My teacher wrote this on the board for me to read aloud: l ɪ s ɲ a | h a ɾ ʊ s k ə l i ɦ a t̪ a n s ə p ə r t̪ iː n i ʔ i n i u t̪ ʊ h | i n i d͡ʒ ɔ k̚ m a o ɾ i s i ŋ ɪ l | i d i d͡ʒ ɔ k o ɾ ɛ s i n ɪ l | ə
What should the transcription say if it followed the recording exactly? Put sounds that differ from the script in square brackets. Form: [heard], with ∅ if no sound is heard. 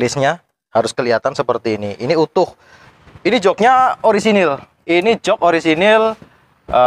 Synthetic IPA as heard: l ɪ s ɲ a | h a ɾ ʊ s k ə l i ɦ a t̪ a n s ə p ə r t̪ iː n i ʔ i n i u t̪ ʊ h | i n i d͡ʒ ɔ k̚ [ɲ] a o ɾ i s i [n] ɪ l | i [n] i d͡ʒ ɔ k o ɾ [i] s i n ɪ l | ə